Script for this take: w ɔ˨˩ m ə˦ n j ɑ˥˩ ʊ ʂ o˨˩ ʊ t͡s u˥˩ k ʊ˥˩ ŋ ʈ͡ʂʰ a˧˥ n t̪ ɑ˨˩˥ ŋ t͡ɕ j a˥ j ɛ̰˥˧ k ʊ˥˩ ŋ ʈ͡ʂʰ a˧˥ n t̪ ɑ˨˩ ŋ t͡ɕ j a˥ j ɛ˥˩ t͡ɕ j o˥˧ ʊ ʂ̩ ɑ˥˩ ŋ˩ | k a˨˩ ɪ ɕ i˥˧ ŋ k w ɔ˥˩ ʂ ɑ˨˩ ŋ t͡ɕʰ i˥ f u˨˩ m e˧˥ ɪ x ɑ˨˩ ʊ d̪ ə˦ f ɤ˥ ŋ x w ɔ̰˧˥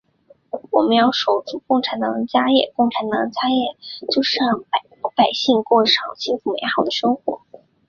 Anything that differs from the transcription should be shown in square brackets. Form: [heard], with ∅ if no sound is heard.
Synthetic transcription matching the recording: w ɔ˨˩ m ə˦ n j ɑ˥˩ ʊ ʂ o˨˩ ʊ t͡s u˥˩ k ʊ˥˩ ŋ ʈ͡ʂʰ a˧˥ n t̪ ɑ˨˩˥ ŋ t͡ɕ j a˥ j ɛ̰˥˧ k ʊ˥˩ ŋ ʈ͡ʂʰ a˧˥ n t̪ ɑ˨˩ ŋ t͡ɕ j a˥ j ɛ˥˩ t͡ɕ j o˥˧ ʊ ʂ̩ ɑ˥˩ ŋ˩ | [p] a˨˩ ɪ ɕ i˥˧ ŋ k w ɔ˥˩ ʂ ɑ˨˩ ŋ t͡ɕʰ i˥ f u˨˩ m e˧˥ ɪ x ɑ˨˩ ʊ d̪ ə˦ [ʂ] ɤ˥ ŋ x w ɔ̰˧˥